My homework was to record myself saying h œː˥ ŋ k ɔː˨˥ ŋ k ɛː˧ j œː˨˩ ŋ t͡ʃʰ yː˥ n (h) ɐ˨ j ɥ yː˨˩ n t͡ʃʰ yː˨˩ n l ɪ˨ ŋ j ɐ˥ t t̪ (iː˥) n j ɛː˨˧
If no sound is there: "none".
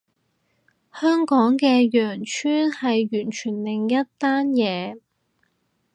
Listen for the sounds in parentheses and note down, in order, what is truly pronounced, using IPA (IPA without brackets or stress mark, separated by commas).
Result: h, aː˥